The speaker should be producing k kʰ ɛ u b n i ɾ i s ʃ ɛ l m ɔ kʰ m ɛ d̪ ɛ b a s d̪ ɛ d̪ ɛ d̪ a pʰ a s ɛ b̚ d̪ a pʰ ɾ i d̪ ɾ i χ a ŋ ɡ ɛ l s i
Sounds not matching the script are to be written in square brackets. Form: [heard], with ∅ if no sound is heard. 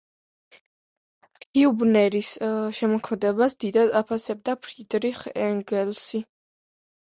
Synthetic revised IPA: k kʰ [i] u b n [ɛ] ɾ i s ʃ ɛ [∅] m ɔ kʰ m ɛ d̪ ɛ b a s d̪ [i] d̪ [a] d̪ a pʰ a s ɛ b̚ d̪ a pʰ ɾ i d̪ ɾ i χ [ɛ] ŋ ɡ ɛ l s i